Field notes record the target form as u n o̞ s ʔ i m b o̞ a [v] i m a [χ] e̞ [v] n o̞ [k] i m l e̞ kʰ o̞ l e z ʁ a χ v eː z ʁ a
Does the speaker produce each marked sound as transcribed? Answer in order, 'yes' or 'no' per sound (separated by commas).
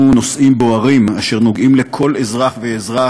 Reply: no, no, no, no